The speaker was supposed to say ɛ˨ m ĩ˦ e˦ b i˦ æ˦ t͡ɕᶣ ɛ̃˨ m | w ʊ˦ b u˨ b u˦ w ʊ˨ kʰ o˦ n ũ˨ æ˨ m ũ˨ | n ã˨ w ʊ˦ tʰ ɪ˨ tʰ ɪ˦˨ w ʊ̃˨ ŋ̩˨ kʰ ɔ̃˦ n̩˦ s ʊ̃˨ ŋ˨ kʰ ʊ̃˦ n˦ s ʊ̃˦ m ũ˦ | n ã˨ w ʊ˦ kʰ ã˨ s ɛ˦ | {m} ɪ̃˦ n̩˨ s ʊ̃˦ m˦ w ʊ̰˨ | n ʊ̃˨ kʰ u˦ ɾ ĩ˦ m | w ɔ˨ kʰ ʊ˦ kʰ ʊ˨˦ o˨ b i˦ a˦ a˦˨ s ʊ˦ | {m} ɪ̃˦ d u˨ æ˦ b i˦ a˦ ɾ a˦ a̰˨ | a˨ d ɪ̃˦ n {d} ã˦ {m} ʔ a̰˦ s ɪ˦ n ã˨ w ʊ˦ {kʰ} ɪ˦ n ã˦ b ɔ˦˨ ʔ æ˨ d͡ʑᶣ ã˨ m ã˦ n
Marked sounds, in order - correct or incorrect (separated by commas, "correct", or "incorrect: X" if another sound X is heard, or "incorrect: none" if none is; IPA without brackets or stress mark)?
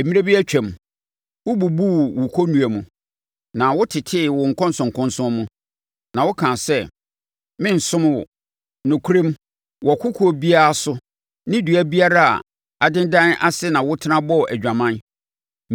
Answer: correct, incorrect: n, correct, incorrect: n, incorrect: tʰ